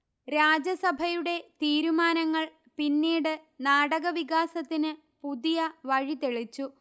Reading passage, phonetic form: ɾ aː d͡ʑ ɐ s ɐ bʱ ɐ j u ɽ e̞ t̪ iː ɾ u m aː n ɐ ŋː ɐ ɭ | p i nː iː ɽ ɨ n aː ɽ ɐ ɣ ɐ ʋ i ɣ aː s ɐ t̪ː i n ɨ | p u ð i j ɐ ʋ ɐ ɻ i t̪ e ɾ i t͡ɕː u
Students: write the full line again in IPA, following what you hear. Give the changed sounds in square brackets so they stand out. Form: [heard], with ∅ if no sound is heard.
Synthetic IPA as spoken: ɾ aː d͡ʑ ɐ s ɐ bʱ ɐ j u ɽ e̞ t̪ iː ɾ u m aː n ɐ ŋː ɐ ɭ | p i nː iː ɽ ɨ n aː ɽ ɐ ɣ ɐ ʋ i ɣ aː s ɐ t̪ː i n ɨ | p u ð i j ɐ ʋ ɐ ɻ i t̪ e [ɭ] i t͡ɕː u